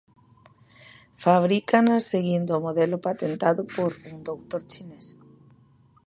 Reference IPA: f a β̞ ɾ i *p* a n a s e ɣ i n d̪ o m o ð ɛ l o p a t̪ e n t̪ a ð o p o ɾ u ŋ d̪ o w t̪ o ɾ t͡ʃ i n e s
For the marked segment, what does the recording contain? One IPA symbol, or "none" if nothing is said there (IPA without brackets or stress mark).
k